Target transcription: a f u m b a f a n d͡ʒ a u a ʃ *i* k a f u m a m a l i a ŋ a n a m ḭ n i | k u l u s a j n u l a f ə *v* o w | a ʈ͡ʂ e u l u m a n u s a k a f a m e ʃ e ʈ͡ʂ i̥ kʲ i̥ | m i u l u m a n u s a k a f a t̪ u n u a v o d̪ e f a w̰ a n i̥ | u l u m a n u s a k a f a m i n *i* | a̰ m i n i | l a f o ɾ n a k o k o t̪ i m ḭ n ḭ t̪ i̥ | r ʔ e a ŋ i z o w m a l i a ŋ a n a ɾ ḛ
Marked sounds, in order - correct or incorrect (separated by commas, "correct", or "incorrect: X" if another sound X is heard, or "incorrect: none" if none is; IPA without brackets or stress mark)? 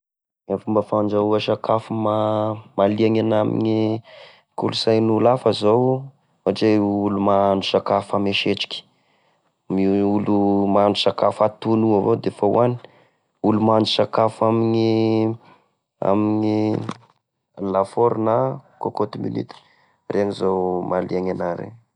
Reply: incorrect: a, incorrect: z, correct